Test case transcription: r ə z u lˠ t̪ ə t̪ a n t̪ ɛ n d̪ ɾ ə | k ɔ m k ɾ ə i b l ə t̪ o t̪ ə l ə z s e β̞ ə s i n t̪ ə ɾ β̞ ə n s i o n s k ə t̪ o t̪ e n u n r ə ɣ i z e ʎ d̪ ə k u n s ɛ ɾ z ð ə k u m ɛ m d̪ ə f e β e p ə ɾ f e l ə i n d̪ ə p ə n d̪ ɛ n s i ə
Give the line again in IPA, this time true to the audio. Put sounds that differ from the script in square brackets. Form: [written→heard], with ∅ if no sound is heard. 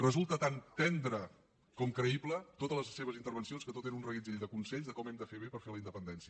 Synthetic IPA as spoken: r ə z u lˠ t̪ ə t̪ a n t̪ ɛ n d̪ ɾ ə | k ɔ m k ɾ ə i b l ə t̪ o t̪ ə l ə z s e β̞ ə [s→z] i n t̪ ə ɾ β̞ ə n s i o n s k ə t̪ o t̪ e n u n r ə ɣ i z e ʎ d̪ ə k u n s ɛ [ɾ→ʎ] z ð ə k [u→ɔ] m ɛ m d̪ ə f e β e p ə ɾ f e l ə i n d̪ ə p ə n d̪ ɛ n s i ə